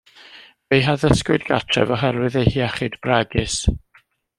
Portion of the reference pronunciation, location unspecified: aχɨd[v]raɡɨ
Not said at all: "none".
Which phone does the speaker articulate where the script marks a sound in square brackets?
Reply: b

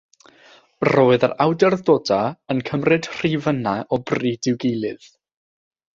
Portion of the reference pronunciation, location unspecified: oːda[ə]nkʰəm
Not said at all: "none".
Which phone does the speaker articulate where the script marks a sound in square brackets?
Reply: ə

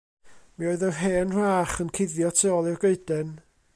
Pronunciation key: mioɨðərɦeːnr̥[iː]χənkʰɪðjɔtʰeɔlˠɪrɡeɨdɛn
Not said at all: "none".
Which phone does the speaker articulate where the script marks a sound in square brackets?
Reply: aː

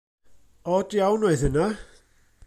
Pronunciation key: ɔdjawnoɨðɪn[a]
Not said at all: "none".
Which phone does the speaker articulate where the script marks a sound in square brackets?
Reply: a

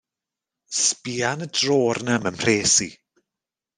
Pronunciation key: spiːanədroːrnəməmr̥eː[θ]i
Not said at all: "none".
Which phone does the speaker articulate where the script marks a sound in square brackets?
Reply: s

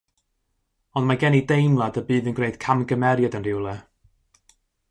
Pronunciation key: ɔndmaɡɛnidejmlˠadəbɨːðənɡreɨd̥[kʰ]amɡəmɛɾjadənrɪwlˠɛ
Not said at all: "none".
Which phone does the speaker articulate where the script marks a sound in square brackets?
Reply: kʰ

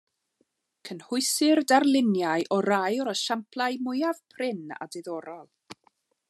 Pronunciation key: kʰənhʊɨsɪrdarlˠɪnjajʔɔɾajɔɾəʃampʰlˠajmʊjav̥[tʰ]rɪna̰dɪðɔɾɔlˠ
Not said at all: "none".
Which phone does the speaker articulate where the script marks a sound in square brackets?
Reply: pʰ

